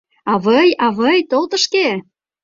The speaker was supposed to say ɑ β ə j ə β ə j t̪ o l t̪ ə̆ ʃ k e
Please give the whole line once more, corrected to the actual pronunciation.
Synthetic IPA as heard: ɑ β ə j ɑ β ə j t̪ o l t̪ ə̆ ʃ k e

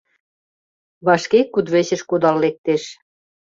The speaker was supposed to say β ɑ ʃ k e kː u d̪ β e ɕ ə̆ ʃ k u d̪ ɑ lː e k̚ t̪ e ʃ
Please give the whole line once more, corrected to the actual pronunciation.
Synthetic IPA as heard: β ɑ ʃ k e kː u d̪ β e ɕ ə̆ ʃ k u d̪ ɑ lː e k̚ t̪ e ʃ

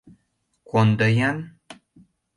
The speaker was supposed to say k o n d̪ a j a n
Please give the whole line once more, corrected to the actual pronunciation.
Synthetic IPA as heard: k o n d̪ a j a n

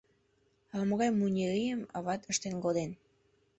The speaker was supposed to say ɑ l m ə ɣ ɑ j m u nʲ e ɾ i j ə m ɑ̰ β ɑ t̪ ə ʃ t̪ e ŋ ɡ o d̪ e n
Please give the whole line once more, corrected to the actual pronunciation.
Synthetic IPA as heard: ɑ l m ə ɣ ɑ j m u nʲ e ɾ i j ə m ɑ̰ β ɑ t̪ ə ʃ t̪ e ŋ ɡ o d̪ e n

